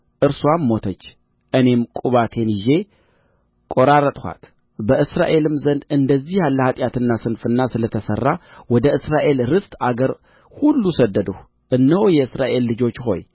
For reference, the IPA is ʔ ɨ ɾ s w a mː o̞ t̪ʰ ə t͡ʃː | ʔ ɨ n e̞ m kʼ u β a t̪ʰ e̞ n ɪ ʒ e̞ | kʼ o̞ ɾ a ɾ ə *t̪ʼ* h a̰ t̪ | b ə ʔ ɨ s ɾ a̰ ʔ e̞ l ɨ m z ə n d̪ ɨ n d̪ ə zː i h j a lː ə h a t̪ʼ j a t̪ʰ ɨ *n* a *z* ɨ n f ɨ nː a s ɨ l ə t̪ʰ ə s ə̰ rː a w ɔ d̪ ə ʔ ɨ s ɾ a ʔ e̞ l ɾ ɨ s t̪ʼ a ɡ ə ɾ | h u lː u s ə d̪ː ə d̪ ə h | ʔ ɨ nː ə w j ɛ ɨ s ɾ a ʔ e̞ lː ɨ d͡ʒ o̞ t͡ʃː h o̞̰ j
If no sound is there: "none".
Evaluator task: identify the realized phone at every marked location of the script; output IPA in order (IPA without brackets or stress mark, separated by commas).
t̪ʼ, nː, s